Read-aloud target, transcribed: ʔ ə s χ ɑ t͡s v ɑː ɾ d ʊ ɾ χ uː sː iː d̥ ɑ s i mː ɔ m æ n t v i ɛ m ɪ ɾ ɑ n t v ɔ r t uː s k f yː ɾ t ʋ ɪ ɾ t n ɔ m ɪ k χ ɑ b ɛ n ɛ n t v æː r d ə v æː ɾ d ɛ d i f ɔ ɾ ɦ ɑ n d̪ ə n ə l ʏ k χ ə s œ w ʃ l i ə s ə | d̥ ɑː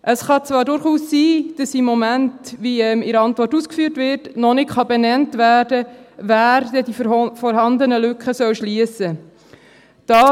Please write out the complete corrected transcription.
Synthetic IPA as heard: ʔ ə s χ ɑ t͡s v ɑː ɾ d ʊ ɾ χ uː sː iː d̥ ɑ s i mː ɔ m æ n t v i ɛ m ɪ ɾ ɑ n t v ɔ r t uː s k f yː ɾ t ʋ ɪ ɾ t n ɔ n ɪ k χ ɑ b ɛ n ɛ n t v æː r d ə v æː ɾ d ɛ d i f ɔ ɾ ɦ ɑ n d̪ ə n ə l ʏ k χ ə s œ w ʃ l i ə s ə | d̥ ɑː